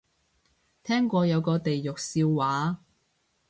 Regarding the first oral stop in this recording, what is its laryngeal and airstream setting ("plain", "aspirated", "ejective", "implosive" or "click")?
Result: aspirated